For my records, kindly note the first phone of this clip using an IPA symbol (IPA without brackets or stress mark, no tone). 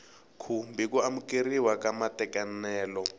kʰ